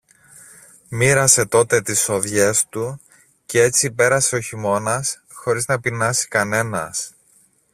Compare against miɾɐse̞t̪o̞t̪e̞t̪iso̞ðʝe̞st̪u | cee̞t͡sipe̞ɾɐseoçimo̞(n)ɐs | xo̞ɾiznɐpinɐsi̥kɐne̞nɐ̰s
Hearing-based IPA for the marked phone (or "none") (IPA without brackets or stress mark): n